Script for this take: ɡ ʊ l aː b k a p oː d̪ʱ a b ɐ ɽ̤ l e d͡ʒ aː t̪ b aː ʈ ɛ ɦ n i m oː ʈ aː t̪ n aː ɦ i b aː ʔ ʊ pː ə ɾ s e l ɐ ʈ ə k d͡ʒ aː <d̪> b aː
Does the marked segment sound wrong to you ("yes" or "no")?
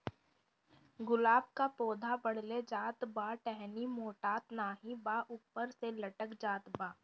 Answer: yes